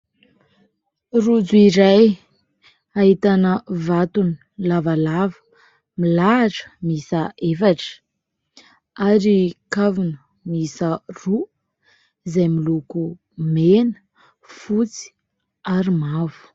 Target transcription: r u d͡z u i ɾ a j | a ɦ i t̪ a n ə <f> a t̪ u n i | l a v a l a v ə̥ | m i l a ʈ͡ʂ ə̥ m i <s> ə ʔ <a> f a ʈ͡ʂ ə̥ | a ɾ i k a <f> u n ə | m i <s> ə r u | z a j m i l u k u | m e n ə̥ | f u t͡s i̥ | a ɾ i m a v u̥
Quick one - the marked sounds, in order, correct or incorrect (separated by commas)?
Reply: incorrect, correct, incorrect, incorrect, correct